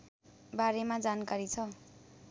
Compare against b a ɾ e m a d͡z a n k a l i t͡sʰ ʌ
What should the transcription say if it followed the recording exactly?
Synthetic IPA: b a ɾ e m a d͡z a n k a ɾ i t͡sʰ ʌ